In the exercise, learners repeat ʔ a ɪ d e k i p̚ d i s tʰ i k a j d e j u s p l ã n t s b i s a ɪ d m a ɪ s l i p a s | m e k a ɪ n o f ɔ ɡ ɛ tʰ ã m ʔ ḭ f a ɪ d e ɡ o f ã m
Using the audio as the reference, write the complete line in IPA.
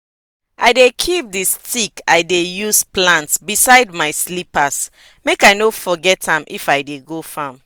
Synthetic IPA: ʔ a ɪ d e kʰ i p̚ d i s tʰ i k a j d e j u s p l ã n t s b i s a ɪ d m a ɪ s l i p a s | m e k a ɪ n o f ɔ ɡ ɛ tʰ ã m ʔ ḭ f a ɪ d e ɡ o f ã m